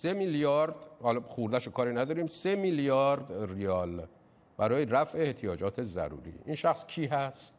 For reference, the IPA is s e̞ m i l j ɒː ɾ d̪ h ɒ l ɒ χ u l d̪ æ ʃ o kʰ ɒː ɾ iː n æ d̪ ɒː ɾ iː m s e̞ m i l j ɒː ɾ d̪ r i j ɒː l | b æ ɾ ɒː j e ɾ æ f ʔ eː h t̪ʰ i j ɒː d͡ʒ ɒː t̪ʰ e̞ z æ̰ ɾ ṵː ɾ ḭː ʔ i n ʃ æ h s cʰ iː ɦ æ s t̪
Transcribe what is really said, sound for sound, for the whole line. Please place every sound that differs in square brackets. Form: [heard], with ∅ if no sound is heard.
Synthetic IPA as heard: s e̞ m i l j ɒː ɾ d̪ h ɒ l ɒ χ u [ɾ] d̪ æ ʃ o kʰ ɒː ɾ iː n æ d̪ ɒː ɾ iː m s e̞ m i l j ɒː ɾ d̪ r i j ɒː l | b æ ɾ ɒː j e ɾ æ f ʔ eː h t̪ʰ i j ɒː d͡ʒ ɒː t̪ʰ e̞ z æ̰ ɾ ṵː ɾ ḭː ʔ i n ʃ æ [x] s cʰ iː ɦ æ s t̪